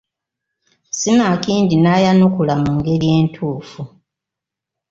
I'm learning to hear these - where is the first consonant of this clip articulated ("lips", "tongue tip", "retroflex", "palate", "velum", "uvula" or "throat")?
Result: tongue tip